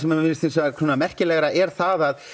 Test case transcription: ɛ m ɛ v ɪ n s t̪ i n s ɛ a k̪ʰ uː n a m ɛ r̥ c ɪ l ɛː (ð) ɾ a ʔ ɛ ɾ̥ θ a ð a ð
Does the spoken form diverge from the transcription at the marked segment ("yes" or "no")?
yes